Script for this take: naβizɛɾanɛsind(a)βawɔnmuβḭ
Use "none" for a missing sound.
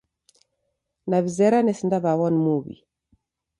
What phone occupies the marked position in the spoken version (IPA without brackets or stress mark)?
a